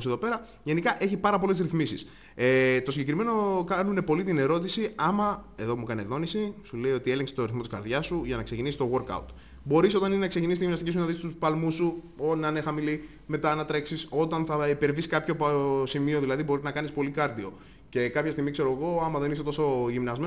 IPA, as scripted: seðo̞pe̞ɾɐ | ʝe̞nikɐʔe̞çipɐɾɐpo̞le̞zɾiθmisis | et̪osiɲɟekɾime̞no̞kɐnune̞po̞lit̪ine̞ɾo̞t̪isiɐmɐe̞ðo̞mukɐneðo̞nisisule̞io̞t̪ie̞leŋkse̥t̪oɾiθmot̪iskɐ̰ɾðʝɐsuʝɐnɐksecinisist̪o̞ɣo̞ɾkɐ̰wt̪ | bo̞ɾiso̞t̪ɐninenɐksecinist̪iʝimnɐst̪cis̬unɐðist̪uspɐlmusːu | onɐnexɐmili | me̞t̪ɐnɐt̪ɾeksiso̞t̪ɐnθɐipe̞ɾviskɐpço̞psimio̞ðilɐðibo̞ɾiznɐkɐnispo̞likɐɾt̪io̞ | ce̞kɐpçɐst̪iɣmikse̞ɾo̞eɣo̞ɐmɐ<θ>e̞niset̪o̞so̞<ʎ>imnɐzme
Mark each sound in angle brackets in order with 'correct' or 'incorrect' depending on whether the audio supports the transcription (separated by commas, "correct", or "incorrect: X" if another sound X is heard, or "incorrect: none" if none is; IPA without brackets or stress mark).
incorrect: ð, incorrect: ʝ